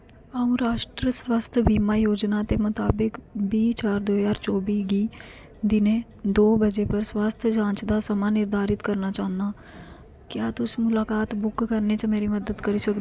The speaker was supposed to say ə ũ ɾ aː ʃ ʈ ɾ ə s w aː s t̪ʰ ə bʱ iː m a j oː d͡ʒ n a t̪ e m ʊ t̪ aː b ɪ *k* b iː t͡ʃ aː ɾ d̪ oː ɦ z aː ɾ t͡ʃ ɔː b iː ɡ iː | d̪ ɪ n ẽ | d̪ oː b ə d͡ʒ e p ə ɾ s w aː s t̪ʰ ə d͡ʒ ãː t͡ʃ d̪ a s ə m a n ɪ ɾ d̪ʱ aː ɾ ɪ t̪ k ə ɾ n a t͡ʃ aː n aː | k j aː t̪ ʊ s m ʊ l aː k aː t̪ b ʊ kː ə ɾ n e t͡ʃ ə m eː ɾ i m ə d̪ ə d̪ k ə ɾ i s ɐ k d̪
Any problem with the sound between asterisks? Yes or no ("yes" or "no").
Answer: no